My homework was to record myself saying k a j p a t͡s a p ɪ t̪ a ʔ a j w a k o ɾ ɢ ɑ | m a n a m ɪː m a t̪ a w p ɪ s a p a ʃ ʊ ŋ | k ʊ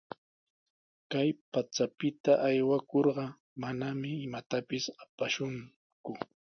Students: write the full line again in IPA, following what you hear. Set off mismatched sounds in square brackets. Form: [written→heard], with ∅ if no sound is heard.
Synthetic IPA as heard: k a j p a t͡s a p ɪ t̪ a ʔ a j w a k o ɾ ɢ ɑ | m a n a m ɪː m a t̪ a [w→∅] p ɪ s a p a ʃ ʊ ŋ | k ʊ